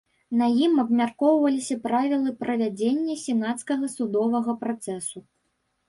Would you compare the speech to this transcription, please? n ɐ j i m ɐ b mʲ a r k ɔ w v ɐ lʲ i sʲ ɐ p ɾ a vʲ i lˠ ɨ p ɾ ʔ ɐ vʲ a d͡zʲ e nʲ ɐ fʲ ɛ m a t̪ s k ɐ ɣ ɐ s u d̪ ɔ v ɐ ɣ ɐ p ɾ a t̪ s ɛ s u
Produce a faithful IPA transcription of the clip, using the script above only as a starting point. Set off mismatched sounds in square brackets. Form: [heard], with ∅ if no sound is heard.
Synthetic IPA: n ɐ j i m ɐ b mʲ a r k ɔ w v ɐ lʲ i sʲ ɐ p ɾ a vʲ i lˠ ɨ p ɾ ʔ ɐ vʲ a d͡zʲ e [nʲː] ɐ [sʲ] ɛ [n] a t̪ s k ɐ ɣ ɐ s u d̪ ɔ v ɐ ɣ ɐ p ɾ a t̪ s ɛ s u

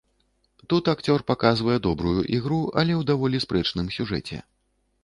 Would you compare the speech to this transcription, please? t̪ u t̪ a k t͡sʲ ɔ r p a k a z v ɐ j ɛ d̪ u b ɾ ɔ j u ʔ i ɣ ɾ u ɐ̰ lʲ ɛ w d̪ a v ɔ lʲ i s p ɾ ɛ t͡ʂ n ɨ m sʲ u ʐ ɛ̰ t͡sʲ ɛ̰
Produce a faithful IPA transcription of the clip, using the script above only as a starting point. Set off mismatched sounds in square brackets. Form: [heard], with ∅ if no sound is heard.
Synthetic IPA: t̪ u t̪ a k t͡sʲ ɔ r p a k a z v ɐ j ɛ d̪ [ɔ] b ɾ [u] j u ʔ i ɣ ɾ u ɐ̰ lʲ ɛ w d̪ a v ɔ lʲ i s p ɾ ɛ t͡ʂ n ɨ m sʲ u ʐ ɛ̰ t͡sʲ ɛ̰

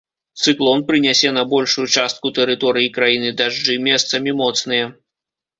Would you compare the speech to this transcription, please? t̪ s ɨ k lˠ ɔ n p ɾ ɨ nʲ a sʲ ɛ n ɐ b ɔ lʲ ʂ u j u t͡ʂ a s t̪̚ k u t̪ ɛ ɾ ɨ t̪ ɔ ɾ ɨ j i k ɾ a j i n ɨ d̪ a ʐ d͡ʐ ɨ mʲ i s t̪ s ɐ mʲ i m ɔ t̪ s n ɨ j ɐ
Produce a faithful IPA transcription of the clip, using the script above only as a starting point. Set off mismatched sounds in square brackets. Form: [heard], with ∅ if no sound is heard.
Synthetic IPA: t̪ s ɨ k lˠ ɔ n p ɾ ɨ nʲ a sʲ ɛ n ɐ b ɔ lʲ ʂ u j u t͡ʂ a s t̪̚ k u t̪ ɛ ɾ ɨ t̪ ɔ ɾ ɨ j i k ɾ a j i n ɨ d̪ a ʐ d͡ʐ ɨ mʲ [ɛ] s t̪ s ɐ mʲ i m ɔ t̪ s n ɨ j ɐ

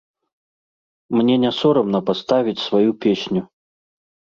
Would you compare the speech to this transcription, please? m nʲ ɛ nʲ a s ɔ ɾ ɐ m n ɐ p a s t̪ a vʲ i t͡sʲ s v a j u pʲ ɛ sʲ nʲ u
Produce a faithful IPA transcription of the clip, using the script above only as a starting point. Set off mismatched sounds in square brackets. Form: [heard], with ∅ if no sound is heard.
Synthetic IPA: m nʲ ɛ nʲ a s ɔ ɾ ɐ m n ɐ p a s t̪ a vʲ i t͡sʲ s v a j u pʲ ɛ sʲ nʲ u

